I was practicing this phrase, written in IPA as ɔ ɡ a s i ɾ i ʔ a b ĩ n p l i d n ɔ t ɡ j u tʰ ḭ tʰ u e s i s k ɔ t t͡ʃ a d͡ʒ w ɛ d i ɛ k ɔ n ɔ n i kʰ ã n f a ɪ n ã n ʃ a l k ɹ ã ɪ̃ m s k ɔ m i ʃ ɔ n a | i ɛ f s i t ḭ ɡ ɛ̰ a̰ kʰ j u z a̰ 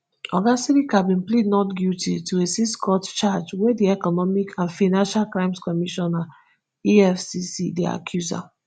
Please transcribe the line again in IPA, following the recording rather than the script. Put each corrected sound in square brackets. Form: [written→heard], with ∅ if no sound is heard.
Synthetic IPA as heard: ɔ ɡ a s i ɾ i [ʔ→k] a b ĩ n p l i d n ɔ t ɡ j u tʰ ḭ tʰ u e s i s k ɔ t t͡ʃ a d͡ʒ w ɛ d i ɛ k ɔ n ɔ [n→m] i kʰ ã n f a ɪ n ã n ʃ a l k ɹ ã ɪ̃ m s k ɔ m i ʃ ɔ n a | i ɛ f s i [t→s] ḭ [ɡ→d] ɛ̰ a̰ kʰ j u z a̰